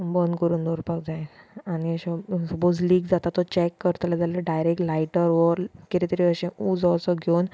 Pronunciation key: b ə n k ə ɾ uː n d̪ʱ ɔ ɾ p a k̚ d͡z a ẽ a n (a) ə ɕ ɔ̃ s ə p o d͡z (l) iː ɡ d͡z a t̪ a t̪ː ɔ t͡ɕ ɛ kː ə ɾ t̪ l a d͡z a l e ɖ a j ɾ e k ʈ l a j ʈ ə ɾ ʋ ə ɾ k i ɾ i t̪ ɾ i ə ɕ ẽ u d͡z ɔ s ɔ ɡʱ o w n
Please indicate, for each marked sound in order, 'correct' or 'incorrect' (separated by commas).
incorrect, correct